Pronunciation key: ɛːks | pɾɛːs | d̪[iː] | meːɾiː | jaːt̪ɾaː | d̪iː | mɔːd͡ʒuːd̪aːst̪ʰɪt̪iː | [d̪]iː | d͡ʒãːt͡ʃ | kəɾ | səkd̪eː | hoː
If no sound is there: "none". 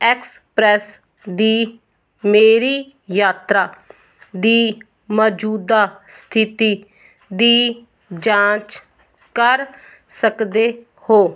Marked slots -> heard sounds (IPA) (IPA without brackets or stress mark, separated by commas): iː, d̪